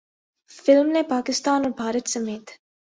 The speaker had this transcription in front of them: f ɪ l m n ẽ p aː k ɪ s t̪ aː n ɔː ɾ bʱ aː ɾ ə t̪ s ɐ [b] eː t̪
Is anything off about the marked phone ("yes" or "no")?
yes